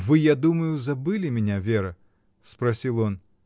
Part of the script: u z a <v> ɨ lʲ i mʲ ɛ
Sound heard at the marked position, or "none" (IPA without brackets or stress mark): b